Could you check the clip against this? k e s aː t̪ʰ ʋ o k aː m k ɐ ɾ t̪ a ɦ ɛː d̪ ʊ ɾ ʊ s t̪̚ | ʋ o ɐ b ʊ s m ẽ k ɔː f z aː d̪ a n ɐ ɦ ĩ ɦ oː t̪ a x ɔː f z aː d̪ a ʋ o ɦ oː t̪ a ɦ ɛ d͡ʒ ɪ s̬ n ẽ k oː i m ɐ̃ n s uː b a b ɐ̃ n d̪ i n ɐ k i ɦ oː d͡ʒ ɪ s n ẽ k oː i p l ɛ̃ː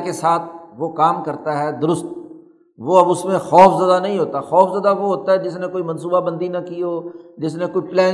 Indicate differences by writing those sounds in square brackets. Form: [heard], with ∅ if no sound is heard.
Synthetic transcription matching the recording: k e s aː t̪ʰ ʋ o k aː m k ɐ ɾ t̪ a ɦ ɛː d̪ ʊ ɾ ʊ s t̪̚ | ʋ o ɐ b ʊ s m ẽ [x] ɔː f z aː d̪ a n ɐ ɦ ĩ ɦ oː t̪ a x ɔː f z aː d̪ a ʋ o ɦ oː t̪ a ɦ ɛ d͡ʒ ɪ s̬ n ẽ k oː i m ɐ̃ n s uː b a b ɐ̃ n d̪ i n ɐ k i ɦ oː d͡ʒ ɪ s n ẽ k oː i p l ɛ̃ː